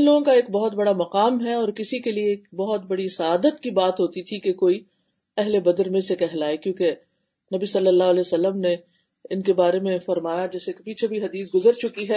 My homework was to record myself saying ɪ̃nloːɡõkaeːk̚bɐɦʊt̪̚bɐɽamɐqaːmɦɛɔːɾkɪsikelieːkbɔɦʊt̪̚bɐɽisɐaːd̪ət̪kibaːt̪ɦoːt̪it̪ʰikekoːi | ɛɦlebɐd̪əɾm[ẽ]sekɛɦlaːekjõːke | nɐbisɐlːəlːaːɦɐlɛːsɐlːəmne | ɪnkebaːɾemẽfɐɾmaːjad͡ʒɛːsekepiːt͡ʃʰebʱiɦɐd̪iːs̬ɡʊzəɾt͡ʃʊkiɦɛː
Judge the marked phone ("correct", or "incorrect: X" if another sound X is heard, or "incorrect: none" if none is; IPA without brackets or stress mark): correct